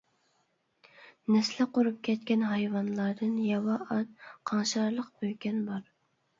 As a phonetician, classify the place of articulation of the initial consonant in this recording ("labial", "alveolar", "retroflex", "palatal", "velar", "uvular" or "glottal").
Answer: alveolar